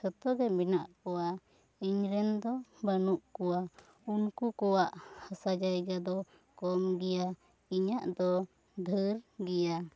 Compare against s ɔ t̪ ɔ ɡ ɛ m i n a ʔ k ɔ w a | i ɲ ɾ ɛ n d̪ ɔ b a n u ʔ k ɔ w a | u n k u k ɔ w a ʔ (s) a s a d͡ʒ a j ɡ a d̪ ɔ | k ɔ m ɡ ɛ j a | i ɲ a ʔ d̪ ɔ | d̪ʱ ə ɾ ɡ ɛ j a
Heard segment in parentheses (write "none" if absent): h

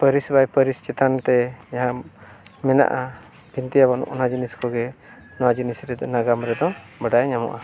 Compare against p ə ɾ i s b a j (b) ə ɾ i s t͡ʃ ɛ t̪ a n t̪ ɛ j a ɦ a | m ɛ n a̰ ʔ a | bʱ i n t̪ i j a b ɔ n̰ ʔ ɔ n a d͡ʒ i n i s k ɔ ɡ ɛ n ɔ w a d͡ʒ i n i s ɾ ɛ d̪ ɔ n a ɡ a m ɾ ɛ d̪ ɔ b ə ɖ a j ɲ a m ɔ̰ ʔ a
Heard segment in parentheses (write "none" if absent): p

